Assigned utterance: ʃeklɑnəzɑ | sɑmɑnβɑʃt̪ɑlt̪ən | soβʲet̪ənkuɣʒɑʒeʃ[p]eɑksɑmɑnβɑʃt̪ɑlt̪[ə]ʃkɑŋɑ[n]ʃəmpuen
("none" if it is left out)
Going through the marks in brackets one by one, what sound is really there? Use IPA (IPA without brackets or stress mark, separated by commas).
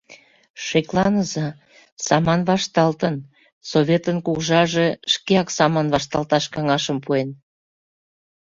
k, ɑ, none